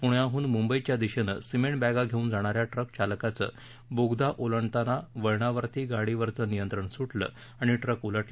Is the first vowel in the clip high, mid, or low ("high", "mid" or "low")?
high